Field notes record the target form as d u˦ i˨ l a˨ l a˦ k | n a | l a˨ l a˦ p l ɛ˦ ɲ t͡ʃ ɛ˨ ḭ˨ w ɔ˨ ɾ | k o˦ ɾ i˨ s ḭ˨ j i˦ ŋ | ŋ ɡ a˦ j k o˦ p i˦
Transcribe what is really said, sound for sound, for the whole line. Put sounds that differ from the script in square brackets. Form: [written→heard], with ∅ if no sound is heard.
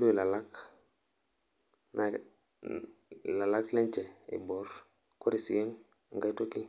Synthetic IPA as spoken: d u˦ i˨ l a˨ l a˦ k | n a | l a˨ l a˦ [p→k] l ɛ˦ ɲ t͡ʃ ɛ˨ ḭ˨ [w→b] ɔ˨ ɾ | k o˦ ɾ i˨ s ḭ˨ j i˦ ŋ | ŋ ɡ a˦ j [k→t] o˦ [p→k] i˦